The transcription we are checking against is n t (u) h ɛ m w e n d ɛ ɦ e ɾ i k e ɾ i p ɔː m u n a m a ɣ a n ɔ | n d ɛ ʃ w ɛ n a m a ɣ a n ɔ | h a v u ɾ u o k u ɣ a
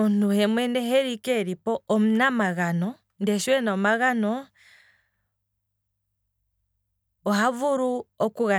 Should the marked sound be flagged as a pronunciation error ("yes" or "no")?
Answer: no